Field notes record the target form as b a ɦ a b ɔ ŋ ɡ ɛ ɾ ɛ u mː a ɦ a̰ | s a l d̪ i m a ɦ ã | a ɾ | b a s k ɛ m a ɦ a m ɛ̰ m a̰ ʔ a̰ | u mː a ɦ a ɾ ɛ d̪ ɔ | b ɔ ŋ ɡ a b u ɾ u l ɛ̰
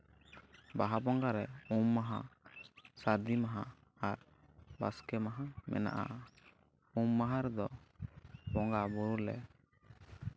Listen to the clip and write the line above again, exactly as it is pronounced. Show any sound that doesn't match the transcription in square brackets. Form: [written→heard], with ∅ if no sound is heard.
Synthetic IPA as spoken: b a ɦ a b ɔ ŋ ɡ [ɛ→a] ɾ ɛ u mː a ɦ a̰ | s a [l→ɾ] d̪ i m a ɦ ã | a ɾ | b a s k ɛ m a ɦ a m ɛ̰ [m→n] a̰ ʔ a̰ | u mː a ɦ a ɾ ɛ d̪ ɔ | b ɔ ŋ ɡ a b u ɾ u l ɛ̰